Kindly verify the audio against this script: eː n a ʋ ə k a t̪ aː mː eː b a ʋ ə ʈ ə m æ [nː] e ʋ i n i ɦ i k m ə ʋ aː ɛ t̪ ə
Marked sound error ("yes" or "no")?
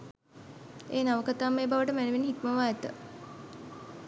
yes